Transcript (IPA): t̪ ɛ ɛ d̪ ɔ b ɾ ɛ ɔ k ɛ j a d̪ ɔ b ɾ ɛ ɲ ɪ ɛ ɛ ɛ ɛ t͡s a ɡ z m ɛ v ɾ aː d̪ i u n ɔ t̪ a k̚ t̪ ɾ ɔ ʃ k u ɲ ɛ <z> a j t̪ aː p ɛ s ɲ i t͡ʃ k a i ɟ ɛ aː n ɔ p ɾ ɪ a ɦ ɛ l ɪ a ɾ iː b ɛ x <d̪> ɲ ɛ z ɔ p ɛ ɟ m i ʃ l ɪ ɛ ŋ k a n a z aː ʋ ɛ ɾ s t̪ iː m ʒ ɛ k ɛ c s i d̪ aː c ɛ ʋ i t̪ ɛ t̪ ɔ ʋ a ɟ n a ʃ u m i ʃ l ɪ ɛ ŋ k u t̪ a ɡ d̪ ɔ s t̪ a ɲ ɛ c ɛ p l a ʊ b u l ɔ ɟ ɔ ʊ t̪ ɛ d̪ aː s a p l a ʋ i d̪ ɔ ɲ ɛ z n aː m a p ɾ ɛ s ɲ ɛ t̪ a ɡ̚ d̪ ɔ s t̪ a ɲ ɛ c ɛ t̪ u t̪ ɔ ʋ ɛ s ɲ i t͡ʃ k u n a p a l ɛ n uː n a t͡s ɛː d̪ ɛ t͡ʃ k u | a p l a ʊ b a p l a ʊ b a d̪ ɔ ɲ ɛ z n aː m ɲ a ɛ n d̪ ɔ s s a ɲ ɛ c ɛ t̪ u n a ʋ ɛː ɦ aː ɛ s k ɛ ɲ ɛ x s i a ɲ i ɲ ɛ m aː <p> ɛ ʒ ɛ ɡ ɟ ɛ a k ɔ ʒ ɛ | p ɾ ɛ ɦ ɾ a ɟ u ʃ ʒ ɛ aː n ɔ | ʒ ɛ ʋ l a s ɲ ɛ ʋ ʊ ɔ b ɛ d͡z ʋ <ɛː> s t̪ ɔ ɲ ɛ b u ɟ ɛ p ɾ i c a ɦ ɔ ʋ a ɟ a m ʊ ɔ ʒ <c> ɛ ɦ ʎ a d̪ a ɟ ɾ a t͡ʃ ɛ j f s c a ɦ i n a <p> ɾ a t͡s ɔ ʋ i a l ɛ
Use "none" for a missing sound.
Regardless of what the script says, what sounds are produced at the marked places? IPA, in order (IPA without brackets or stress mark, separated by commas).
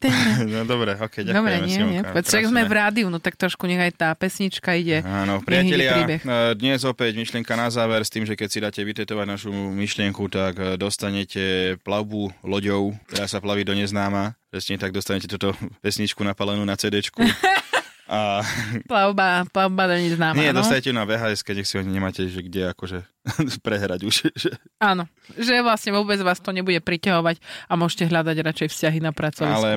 ɣ, d̪, c, aː, c, p